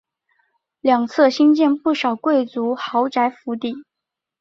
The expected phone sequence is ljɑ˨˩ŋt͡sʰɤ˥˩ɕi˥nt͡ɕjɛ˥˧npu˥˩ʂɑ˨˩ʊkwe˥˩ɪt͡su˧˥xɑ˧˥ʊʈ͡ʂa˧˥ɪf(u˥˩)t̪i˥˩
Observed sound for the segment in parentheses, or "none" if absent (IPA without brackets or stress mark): u˧˥